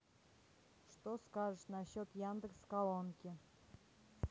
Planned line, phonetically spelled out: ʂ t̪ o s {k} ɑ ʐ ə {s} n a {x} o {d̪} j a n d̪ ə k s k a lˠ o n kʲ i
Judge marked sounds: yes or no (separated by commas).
yes, no, no, no